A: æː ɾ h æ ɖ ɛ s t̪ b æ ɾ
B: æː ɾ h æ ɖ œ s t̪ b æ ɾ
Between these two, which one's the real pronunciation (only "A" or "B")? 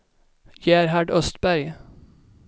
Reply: B